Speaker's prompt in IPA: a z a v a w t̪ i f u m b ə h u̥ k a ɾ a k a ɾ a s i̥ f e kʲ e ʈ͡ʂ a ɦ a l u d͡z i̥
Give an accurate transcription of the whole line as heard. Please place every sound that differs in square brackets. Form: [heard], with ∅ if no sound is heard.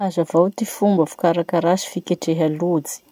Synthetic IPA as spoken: a z a v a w t̪ i f u m b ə [f] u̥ k a ɾ a k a ɾ a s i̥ f [i] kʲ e ʈ͡ʂ [e] ɦ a l u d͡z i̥